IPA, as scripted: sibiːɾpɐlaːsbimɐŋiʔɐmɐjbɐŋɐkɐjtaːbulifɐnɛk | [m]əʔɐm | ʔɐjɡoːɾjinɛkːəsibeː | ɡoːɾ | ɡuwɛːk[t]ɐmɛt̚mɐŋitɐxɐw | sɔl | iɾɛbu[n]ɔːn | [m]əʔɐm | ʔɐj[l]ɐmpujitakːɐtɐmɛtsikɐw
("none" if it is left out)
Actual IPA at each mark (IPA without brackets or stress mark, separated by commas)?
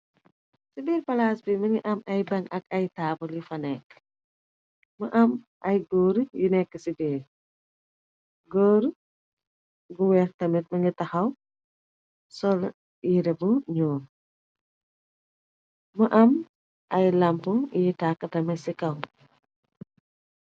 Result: m, t, ɲ, m, l